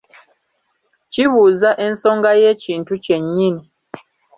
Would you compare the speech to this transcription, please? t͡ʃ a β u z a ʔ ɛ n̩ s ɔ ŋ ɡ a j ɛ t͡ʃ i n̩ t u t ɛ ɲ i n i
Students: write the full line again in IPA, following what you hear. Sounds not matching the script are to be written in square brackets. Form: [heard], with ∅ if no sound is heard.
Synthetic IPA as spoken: t͡ʃ [i] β u z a ʔ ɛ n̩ s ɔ ŋ ɡ a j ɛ t͡ʃ i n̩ t u [t͡ʃ] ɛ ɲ i n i